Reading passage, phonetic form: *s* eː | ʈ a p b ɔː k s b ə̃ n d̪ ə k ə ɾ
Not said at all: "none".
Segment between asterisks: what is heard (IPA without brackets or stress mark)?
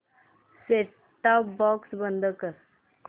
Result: s